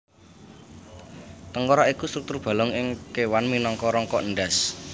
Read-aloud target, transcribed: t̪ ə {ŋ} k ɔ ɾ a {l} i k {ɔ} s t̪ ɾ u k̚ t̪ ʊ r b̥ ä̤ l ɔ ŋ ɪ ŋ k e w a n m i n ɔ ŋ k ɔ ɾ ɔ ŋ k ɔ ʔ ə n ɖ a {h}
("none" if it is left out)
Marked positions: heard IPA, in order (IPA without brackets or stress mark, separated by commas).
ŋ, none, u, s